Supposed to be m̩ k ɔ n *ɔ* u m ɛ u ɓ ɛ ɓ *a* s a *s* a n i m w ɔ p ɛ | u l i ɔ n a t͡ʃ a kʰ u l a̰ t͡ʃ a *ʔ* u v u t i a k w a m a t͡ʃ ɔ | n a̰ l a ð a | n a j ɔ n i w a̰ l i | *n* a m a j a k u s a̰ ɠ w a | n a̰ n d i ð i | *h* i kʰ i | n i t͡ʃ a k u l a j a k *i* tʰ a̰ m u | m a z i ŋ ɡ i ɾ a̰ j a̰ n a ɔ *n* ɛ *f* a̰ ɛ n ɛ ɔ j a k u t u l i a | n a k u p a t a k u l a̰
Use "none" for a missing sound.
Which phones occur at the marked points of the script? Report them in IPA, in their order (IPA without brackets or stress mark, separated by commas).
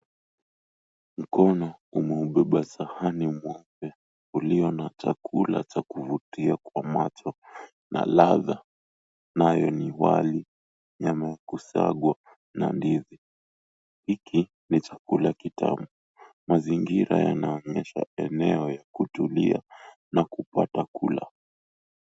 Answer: ɔ, a, h, k, ɲ, h, i, ɲ, ʃ